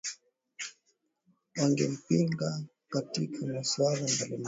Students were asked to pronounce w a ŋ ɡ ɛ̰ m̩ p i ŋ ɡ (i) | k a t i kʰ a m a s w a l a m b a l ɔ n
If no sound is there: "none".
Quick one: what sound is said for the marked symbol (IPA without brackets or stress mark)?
a